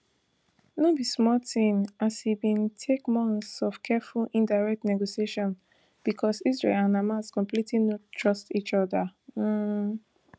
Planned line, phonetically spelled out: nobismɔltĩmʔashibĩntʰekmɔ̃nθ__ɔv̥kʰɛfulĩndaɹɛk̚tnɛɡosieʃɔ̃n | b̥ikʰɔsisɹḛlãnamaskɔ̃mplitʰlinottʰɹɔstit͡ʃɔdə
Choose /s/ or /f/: s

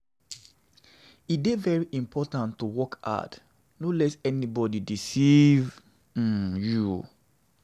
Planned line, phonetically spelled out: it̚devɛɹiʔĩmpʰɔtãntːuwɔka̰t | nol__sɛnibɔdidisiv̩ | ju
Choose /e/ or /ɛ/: ɛ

